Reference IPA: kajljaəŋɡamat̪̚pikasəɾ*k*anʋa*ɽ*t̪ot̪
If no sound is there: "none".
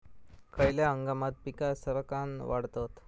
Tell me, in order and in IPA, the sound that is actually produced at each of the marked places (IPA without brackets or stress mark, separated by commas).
k, ɽ